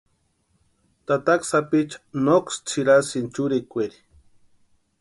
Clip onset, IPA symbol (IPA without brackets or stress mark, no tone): t̪